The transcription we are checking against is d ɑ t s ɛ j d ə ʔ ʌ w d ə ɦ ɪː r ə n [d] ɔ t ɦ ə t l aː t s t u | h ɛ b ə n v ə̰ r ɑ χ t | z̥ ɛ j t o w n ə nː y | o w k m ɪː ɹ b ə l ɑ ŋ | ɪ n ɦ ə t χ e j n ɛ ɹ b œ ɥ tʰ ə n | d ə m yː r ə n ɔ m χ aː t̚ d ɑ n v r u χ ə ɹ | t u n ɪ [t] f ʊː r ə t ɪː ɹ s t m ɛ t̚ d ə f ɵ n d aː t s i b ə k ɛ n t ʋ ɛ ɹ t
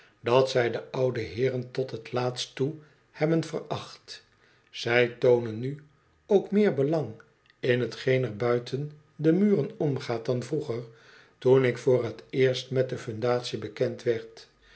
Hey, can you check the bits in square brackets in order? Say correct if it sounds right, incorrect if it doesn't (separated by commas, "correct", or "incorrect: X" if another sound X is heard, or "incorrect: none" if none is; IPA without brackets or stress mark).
incorrect: t, incorrect: k